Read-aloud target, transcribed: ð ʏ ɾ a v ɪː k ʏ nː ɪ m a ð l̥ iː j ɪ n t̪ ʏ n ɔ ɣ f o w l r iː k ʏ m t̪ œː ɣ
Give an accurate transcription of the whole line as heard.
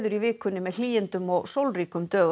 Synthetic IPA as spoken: ð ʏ ɾ i v ɪː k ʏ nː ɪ m ɛ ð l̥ iː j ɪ n t̪ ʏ m ɔ ɣ s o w l r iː k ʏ m t̪ œː ɣ